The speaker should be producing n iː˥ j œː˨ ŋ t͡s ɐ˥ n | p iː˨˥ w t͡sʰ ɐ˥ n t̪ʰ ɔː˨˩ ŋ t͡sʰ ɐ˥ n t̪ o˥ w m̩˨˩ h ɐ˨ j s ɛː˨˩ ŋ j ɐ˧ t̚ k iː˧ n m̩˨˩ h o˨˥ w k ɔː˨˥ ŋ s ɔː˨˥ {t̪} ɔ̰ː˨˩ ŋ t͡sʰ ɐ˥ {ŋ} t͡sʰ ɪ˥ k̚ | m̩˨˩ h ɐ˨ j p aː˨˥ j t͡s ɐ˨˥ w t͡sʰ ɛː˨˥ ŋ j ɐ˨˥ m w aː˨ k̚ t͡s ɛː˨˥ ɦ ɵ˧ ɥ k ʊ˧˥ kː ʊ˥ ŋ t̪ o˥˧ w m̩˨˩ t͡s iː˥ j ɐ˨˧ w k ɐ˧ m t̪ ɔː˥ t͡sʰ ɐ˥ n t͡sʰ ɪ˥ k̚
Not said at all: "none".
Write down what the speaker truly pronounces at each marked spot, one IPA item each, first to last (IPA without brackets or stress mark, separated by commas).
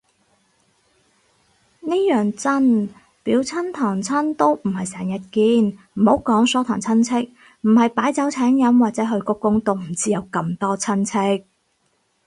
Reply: t̪ʰ, n